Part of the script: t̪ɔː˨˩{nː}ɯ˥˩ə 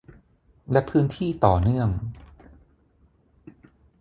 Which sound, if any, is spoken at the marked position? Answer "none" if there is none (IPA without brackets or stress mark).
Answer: n